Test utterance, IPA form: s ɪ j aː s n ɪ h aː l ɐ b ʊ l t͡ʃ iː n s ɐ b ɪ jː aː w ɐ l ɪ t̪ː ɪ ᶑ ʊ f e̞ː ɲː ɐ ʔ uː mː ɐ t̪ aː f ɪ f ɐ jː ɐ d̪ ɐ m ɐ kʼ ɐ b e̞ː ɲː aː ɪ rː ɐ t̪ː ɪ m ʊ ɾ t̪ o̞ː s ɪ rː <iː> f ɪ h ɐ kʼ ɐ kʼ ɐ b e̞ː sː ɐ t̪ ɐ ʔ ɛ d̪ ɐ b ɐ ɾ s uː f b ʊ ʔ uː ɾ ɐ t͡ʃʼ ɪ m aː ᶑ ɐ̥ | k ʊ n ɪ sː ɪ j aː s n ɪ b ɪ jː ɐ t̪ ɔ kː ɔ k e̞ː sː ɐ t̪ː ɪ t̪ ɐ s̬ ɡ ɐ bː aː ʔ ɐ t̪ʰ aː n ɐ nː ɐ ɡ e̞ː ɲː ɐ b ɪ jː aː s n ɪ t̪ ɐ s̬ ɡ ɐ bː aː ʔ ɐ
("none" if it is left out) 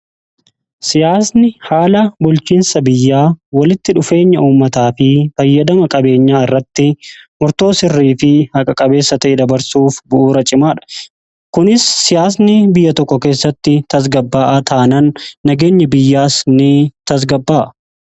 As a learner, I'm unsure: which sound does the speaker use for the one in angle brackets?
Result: iː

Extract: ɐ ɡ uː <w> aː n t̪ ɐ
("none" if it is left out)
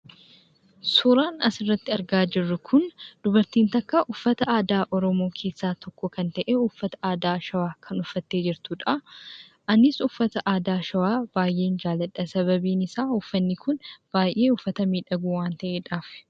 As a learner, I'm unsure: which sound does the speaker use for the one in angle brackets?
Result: w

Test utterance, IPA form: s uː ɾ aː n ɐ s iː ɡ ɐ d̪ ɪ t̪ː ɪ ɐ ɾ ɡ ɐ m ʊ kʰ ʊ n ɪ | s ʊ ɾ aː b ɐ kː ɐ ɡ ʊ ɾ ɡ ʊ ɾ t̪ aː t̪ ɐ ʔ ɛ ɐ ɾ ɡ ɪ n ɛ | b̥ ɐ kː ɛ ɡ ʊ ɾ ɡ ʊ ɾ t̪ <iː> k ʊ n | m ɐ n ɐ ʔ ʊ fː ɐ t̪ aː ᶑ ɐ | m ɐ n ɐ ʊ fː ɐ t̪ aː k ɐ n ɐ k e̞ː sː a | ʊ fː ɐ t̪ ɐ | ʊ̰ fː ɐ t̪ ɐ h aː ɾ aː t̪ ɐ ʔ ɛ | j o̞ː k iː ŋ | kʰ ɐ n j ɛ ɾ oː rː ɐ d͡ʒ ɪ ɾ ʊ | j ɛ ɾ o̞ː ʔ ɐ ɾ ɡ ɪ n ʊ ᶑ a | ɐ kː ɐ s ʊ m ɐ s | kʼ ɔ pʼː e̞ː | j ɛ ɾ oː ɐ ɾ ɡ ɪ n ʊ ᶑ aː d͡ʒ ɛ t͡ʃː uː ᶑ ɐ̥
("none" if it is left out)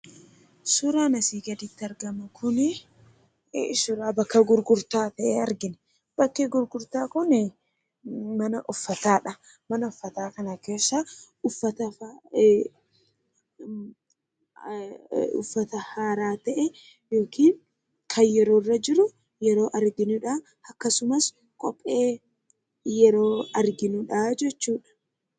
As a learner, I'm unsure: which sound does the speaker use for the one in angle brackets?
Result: aː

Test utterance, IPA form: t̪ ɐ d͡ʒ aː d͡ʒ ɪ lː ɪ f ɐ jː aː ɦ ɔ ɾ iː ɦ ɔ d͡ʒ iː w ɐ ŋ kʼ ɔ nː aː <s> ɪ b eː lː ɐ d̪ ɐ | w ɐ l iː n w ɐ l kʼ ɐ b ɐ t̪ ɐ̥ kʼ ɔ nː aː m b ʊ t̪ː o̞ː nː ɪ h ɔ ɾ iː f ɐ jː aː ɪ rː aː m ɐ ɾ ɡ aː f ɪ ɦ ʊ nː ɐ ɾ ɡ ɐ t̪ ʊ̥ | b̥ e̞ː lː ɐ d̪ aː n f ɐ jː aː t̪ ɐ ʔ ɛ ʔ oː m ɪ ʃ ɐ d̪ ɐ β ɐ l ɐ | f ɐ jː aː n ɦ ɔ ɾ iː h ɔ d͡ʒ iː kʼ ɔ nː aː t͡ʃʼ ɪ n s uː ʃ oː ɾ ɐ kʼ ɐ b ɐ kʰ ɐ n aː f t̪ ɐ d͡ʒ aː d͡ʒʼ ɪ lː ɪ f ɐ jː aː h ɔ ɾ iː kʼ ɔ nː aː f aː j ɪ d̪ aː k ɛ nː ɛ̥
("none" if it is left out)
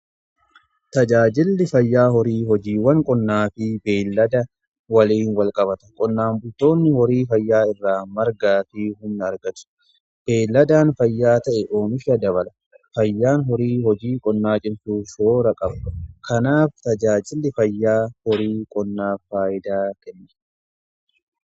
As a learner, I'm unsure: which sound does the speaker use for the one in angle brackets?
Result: f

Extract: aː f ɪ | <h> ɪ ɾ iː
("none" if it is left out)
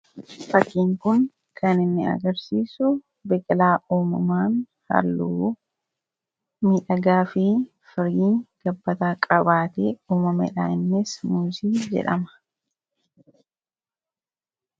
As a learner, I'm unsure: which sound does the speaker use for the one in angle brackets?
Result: f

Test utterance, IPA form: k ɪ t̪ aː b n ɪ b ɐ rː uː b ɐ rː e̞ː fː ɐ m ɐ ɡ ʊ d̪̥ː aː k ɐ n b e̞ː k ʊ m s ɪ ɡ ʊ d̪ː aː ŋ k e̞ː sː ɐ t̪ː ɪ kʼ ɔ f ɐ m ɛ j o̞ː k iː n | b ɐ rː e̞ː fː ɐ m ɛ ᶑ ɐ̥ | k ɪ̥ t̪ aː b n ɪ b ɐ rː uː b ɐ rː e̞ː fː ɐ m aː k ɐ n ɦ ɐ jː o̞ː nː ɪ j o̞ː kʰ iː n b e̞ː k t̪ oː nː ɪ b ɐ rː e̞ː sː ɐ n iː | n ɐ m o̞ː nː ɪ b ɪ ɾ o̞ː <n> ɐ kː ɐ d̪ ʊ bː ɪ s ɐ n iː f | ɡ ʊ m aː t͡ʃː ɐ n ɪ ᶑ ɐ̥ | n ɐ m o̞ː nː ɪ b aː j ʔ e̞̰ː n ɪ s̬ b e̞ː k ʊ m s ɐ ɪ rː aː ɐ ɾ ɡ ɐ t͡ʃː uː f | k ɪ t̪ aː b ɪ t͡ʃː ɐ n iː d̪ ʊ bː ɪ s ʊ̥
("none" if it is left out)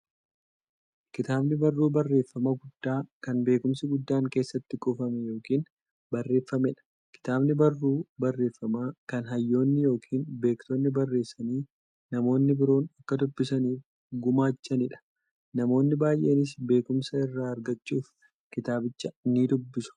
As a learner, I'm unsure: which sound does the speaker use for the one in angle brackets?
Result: n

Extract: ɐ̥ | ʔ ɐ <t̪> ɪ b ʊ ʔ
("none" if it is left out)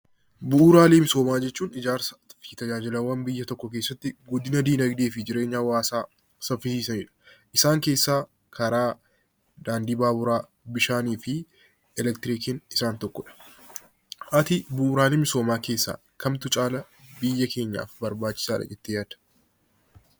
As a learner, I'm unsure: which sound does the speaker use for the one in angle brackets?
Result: t̪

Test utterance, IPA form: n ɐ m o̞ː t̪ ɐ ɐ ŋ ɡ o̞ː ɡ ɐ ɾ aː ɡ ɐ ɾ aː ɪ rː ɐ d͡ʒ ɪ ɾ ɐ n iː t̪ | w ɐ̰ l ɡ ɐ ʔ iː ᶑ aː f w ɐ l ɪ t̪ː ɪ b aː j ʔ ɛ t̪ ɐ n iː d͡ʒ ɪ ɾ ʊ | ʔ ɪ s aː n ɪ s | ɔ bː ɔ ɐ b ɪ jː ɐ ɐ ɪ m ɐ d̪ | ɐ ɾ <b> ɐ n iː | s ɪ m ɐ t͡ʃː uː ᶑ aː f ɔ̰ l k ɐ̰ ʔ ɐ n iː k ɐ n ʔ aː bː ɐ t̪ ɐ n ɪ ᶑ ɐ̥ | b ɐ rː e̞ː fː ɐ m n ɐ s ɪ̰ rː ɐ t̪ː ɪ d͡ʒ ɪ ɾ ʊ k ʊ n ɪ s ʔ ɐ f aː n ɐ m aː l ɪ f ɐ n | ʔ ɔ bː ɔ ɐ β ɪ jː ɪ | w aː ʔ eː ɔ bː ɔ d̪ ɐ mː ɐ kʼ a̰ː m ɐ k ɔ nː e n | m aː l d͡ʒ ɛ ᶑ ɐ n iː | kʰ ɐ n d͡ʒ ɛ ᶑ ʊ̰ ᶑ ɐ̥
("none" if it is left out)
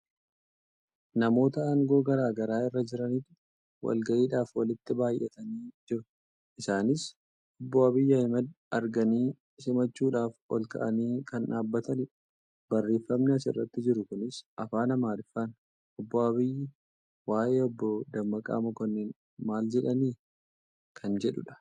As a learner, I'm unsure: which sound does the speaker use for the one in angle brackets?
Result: ɡ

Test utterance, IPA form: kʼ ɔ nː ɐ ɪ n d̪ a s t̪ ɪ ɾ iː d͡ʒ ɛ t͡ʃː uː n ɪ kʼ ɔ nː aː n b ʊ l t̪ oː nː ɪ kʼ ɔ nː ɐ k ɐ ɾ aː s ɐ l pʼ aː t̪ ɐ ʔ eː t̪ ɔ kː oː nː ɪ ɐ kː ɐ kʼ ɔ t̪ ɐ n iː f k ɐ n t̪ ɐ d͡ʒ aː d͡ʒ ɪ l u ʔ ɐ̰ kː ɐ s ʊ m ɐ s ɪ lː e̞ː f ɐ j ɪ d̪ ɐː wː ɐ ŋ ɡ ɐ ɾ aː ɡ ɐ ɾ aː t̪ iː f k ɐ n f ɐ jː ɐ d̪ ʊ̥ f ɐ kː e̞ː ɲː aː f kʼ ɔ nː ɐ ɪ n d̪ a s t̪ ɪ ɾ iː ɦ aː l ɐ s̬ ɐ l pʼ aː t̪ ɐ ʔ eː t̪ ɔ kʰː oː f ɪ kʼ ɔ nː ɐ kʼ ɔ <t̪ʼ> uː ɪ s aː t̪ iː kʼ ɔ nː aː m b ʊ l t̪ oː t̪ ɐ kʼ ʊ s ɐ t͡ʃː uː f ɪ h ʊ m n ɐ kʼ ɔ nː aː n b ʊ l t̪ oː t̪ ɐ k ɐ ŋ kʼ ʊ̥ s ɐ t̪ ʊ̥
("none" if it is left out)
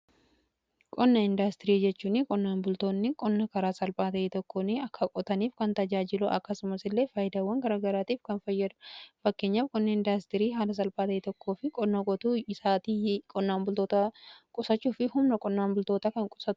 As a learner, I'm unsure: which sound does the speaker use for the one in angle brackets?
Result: t̪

